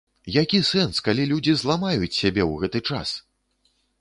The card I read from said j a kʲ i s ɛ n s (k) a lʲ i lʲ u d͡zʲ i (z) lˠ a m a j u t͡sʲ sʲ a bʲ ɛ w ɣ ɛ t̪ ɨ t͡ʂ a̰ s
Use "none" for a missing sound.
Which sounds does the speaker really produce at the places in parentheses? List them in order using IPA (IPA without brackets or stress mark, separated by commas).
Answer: k, z